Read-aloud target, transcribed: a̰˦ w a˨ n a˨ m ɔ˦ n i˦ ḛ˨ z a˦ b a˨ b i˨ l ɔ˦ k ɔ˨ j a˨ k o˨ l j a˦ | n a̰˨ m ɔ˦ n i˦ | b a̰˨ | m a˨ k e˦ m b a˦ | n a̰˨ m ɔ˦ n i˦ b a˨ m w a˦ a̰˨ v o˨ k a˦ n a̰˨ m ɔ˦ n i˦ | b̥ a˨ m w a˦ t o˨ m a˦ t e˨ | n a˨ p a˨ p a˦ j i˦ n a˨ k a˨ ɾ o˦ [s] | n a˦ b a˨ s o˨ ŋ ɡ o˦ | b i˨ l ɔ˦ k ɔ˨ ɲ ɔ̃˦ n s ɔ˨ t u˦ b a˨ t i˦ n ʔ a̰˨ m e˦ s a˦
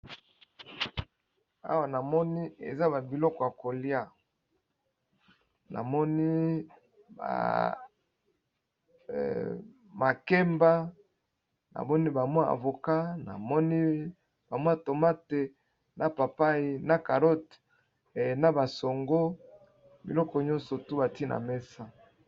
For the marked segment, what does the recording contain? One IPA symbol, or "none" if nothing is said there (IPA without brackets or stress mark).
t